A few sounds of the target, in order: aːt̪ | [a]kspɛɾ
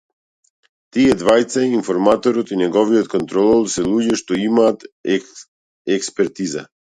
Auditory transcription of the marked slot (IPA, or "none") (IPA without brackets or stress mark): ɛ